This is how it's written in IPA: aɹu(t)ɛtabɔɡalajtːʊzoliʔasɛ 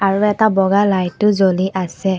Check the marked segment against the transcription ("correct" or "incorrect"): incorrect